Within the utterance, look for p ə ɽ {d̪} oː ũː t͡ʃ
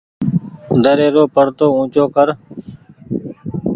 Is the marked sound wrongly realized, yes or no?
yes